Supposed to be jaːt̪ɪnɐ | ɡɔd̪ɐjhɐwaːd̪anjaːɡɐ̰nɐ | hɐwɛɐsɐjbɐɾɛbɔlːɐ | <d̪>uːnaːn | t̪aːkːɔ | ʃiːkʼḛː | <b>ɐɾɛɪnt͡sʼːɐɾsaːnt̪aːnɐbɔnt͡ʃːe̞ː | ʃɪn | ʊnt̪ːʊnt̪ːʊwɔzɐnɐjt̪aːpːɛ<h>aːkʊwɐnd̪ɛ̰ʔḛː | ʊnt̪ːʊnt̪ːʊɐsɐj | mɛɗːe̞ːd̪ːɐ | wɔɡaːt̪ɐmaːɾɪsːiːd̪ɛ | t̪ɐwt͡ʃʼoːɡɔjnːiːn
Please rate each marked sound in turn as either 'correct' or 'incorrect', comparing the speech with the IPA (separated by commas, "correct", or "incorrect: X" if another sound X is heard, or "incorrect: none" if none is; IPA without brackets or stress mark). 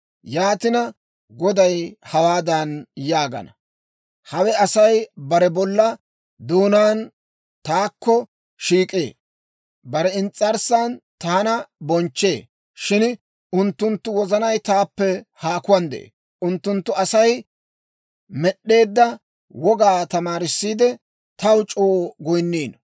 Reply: correct, correct, correct